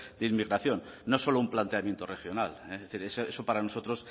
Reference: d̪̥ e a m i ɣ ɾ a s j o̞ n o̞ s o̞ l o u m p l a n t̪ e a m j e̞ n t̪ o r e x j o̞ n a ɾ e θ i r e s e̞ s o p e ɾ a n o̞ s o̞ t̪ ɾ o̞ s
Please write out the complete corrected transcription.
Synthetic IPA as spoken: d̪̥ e i m i ɣ ɾ a θ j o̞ nː o̞ s o̞ l o u m p l a n t̪ e a m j e̞ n t̪ o r e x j o̞ n a l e θ i ɾ e s e̞ s o p a ɾ a n o̞ s o̞ t̪ ɾ o̞ s